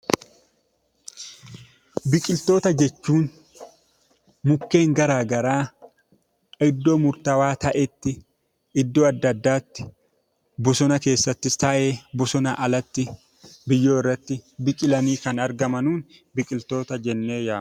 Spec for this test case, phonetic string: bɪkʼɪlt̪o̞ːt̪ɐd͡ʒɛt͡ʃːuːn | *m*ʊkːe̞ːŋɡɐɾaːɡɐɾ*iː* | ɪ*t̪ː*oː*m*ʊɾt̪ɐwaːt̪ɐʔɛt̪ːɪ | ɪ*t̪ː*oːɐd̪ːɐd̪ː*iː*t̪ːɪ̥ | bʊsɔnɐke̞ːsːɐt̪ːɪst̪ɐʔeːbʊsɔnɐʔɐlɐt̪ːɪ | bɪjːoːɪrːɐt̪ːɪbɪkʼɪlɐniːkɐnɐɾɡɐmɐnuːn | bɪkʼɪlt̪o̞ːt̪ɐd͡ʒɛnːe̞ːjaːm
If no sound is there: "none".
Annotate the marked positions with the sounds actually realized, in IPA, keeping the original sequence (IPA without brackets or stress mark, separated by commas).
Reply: m, aː, d̪ː, m, d̪ː, aː